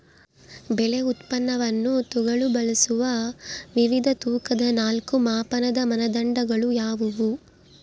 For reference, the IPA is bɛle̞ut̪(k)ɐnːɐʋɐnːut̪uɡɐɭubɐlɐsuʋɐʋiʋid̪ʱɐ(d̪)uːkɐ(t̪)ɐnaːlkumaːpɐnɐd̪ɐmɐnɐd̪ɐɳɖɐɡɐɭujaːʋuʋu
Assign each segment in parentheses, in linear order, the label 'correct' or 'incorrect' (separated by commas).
incorrect, incorrect, incorrect